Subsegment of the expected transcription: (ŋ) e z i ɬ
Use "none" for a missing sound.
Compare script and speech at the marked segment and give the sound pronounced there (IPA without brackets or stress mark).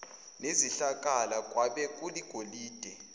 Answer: n